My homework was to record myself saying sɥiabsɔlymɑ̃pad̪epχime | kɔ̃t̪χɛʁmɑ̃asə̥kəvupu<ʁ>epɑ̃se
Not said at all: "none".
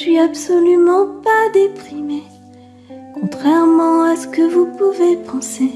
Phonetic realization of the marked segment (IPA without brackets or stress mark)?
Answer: v